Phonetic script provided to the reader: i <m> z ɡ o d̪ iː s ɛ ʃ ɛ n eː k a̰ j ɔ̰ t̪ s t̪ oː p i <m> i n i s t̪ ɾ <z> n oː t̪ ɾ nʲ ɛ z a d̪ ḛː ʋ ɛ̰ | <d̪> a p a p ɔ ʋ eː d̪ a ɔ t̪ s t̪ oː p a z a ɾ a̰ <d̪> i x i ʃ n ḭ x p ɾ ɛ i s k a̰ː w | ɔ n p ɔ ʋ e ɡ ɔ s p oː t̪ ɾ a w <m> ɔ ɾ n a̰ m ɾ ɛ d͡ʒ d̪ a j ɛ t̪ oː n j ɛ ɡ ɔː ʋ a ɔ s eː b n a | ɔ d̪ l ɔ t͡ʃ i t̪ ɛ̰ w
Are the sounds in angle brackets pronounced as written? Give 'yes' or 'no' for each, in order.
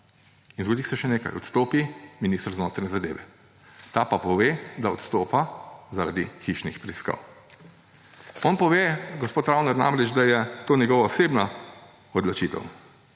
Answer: no, yes, yes, no, yes, no

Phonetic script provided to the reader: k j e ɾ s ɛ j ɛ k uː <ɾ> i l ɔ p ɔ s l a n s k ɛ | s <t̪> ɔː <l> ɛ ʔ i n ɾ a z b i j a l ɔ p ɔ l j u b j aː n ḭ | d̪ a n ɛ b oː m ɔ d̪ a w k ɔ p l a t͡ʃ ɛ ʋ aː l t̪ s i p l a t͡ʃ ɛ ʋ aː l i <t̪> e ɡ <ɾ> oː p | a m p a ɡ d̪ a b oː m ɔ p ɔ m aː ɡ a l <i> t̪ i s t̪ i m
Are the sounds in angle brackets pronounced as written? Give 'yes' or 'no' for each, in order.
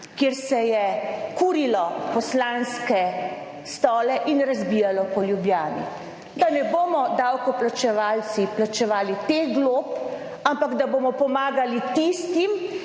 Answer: yes, yes, yes, yes, no, yes

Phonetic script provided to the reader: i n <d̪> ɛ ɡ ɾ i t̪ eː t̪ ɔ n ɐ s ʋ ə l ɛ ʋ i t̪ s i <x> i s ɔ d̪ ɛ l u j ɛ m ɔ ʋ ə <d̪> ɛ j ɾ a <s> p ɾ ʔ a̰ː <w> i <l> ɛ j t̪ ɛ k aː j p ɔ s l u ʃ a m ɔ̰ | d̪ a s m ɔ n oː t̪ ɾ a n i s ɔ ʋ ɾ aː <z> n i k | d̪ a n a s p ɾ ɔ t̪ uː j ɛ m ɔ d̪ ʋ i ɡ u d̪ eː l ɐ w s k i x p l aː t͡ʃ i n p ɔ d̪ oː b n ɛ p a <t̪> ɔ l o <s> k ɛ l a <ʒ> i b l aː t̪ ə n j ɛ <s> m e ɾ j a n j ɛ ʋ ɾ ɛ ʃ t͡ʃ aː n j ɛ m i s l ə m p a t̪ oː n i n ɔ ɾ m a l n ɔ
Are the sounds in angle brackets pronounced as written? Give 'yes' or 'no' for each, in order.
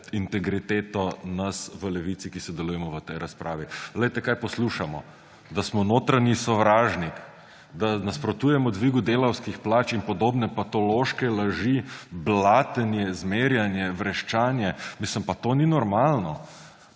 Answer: no, no, no, yes, no, yes, no, yes, no, yes, no

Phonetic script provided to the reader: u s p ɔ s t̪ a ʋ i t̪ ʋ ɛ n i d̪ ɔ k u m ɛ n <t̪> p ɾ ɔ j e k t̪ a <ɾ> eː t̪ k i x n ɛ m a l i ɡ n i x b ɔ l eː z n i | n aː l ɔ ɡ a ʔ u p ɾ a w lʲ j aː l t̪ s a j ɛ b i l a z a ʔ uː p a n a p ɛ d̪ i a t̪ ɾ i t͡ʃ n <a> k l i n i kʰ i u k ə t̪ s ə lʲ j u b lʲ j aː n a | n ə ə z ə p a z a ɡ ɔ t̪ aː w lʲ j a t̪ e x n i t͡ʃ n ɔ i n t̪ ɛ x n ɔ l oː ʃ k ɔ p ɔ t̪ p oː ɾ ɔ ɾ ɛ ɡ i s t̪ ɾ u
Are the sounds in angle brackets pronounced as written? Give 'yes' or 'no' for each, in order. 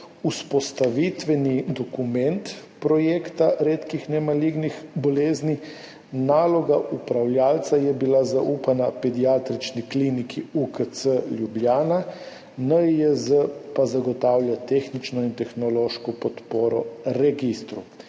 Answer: yes, yes, no

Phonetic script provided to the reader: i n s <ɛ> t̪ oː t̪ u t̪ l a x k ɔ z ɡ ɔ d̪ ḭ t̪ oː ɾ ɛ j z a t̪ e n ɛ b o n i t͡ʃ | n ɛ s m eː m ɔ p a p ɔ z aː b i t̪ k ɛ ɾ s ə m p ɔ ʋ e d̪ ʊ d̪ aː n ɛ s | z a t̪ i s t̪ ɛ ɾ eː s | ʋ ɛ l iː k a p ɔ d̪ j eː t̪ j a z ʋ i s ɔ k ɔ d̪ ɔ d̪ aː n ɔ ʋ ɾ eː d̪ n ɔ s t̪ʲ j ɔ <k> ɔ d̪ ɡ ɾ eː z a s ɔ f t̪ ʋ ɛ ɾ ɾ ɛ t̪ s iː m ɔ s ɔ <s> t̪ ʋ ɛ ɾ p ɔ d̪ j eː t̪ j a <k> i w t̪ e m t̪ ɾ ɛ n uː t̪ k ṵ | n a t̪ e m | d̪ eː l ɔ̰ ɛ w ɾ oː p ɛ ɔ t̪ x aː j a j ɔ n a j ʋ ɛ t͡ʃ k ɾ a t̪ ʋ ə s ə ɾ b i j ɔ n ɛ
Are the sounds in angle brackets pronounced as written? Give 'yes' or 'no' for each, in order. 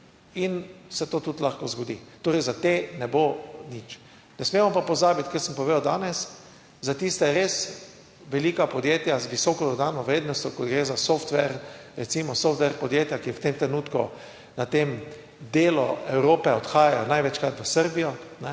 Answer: yes, yes, no, yes

